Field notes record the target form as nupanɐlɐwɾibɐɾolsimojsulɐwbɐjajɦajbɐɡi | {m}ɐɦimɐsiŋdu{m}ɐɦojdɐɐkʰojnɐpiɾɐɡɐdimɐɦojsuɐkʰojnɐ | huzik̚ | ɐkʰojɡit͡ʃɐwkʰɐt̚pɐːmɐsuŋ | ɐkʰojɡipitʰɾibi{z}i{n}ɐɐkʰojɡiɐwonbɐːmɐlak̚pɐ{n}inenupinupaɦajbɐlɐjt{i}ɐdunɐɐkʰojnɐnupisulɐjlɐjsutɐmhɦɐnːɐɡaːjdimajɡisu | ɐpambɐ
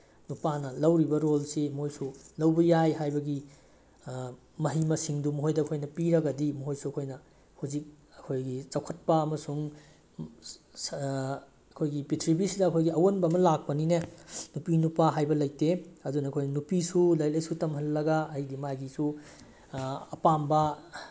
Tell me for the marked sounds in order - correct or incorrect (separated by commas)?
correct, correct, incorrect, incorrect, correct, incorrect